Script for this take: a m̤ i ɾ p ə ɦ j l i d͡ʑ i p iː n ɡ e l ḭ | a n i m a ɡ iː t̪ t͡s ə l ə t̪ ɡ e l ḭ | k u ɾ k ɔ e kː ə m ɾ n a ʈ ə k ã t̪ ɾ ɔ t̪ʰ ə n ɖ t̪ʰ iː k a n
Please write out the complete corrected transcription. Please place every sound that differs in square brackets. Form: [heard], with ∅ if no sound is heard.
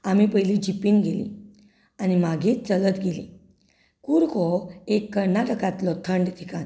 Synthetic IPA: a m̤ i [∅] p ə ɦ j l i d͡ʑ i p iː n ɡ e l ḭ | a n i m a ɡ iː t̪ t͡s ə l ə t̪ ɡ e l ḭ | k u ɾ k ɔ e kː ə [∅] ɾ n a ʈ ə k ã t̪ [l] ɔ t̪ʰ ə [ɳ] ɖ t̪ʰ [i] k a n